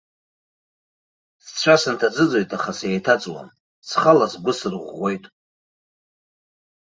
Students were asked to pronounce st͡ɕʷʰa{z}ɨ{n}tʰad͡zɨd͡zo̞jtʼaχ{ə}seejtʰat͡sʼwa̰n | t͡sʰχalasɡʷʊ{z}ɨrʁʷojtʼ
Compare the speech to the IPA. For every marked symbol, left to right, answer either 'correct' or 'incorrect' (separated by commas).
incorrect, correct, incorrect, incorrect